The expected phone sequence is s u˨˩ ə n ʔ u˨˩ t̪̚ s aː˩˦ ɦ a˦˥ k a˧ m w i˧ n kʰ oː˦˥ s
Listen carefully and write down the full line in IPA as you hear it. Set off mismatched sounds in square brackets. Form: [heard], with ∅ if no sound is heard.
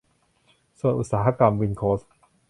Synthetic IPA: s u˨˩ ə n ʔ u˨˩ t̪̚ s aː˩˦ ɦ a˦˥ k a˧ m w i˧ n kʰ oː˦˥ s